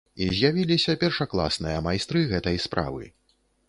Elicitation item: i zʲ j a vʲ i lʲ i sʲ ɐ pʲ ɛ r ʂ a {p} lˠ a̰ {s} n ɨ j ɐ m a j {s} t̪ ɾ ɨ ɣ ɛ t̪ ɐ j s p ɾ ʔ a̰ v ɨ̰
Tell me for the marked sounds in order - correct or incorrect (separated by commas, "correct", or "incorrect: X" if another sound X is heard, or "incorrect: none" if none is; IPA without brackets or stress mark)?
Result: incorrect: k, correct, correct